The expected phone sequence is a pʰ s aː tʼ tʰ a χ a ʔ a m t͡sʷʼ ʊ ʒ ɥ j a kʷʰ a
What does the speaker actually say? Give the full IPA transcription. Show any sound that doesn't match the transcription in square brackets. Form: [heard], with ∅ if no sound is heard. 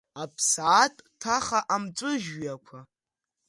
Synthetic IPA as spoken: a pʰ s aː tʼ tʰ a χ a ʔ a m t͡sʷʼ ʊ ʒ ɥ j a kʷʰ a